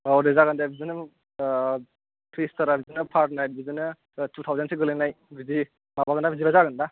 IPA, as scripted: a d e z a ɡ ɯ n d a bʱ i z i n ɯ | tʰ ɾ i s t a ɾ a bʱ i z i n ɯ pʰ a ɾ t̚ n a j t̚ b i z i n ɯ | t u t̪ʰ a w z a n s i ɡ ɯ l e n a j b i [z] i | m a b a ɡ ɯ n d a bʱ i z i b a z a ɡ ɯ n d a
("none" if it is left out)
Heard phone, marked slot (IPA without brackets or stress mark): z